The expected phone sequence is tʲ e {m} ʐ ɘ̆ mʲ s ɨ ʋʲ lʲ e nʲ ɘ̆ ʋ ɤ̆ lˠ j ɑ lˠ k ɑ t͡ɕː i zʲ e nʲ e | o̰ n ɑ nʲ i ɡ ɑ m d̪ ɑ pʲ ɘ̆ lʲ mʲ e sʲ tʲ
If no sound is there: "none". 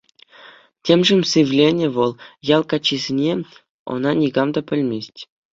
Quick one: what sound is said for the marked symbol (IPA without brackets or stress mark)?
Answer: m